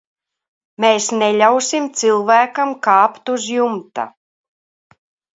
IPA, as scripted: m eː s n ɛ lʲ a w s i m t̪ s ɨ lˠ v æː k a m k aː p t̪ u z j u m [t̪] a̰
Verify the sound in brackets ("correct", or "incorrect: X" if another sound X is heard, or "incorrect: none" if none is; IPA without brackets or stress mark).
correct